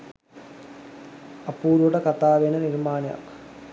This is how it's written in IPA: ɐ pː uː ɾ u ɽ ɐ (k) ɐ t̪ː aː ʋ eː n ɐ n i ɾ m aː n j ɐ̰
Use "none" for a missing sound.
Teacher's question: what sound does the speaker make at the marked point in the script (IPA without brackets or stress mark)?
k